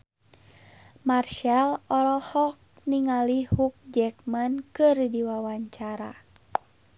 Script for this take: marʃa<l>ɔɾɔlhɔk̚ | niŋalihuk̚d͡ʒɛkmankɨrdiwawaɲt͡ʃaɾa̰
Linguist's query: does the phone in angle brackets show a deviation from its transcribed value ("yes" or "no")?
no